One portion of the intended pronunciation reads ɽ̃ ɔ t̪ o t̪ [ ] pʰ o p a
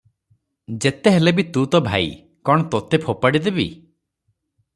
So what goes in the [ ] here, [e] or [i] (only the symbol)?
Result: e